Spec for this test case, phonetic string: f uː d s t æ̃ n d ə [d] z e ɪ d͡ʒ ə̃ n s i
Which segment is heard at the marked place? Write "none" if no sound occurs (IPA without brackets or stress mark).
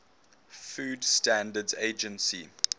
d